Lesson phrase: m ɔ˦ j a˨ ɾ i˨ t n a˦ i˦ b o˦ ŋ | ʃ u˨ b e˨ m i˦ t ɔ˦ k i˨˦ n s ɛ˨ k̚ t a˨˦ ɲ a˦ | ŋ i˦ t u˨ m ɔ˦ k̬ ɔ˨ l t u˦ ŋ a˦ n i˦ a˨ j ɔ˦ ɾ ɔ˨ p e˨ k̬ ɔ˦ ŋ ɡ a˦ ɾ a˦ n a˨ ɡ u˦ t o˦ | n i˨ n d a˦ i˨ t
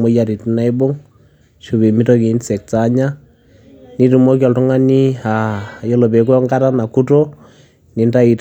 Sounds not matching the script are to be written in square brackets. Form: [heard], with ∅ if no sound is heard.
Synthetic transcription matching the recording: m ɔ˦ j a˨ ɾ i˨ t n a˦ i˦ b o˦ ŋ | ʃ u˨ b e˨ m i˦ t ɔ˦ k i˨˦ n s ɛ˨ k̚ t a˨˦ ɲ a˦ | [n] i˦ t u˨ m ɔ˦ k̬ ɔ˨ l t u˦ ŋ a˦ n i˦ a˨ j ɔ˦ [l] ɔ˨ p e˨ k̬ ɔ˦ ŋ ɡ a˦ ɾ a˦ n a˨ [k] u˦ t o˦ | n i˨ n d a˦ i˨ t

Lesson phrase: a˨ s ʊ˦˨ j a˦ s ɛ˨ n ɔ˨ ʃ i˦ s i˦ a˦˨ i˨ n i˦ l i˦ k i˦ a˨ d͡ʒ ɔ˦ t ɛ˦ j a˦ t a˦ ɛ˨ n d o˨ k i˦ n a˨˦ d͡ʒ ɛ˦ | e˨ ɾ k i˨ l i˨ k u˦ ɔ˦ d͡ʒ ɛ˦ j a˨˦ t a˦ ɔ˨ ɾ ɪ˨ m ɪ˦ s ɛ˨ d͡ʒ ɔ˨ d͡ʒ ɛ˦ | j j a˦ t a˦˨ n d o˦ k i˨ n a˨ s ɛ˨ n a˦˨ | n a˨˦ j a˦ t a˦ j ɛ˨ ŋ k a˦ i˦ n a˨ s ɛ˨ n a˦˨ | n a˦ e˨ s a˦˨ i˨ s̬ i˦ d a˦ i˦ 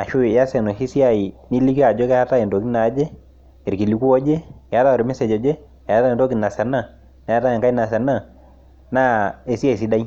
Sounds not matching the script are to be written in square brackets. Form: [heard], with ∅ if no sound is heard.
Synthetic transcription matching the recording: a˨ [ʃ] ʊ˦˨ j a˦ s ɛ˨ n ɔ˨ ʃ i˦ s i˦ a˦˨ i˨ n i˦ l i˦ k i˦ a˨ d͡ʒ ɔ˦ [k] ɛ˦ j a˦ t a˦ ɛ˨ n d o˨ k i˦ n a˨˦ d͡ʒ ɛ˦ | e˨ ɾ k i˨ l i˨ k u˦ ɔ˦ d͡ʒ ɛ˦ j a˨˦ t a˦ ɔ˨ ɾ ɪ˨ m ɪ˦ s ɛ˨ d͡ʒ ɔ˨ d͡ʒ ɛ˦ | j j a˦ t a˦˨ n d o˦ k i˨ n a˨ s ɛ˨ n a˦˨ | n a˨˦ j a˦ t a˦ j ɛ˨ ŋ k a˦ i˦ n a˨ s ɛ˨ n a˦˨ | n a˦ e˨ s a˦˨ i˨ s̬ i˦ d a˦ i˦

